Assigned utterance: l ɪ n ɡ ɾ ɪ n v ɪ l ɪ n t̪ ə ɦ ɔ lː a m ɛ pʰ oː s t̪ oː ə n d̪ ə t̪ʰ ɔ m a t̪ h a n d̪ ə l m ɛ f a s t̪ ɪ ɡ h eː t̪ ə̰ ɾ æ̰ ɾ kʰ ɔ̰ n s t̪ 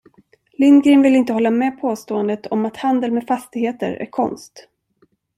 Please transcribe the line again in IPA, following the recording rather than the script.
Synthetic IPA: l ɪ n ɡ ɾ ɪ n v ɪ l ɪ n t̪ ə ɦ ɔ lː a m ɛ pʰ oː s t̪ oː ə n d̪ ə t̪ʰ ɔ m a t̪ h a n d̪ ə l m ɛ f a s t̪ ɪ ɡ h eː t̪ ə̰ ɾ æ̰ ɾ kʰ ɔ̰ n s t̪